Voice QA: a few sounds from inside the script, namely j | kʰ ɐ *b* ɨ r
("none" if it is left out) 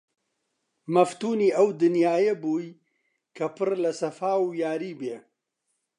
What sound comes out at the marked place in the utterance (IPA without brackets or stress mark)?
p